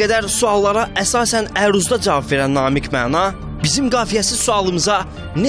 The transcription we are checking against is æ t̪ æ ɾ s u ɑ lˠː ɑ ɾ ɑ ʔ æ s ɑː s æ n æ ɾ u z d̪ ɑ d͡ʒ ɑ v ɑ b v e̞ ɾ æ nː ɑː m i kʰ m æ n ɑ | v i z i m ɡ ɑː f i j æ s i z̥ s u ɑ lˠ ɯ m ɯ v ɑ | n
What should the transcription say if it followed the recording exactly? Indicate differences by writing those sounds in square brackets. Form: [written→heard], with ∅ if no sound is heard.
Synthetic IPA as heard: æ [t̪→d̪] æ ɾ s u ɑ lˠː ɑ ɾ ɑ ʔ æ s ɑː s æ n æ ɾ u z d̪ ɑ d͡ʒ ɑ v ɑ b v e̞ ɾ æ nː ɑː m i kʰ m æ n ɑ | [v→b] i z i m ɡ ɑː f i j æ s i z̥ s u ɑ lˠ ɯ m ɯ [v→z] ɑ | n